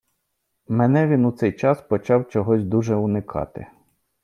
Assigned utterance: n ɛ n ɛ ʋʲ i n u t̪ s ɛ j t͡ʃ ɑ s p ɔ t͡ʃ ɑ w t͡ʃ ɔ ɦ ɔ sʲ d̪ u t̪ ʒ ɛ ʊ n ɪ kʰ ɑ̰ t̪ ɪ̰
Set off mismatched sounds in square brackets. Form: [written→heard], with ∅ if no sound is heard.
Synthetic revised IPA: [n→m] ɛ n ɛ ʋʲ i n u t̪ s ɛ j t͡ʃ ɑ s p ɔ t͡ʃ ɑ w t͡ʃ ɔ ɦ ɔ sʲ d̪ u [t̪→∅] ʒ ɛ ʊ n ɪ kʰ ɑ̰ t̪ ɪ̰